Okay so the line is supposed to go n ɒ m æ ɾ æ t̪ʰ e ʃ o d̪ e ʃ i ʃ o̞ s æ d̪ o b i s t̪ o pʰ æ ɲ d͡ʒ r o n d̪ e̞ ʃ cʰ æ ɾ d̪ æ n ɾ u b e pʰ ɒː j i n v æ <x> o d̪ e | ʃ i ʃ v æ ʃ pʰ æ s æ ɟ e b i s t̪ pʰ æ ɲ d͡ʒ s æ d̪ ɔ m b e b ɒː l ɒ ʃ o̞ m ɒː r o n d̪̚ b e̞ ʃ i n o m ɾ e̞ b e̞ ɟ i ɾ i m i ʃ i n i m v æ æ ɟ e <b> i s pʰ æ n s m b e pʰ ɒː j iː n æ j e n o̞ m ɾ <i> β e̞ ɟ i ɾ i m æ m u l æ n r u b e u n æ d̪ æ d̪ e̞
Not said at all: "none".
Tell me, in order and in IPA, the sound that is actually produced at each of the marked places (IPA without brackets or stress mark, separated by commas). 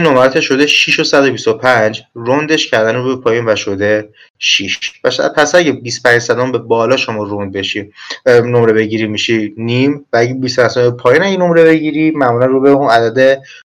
ʃ, b, e